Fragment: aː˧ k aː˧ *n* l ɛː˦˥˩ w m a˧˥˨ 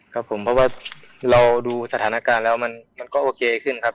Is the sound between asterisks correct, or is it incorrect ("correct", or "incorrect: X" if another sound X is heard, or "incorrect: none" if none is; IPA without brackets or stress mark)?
correct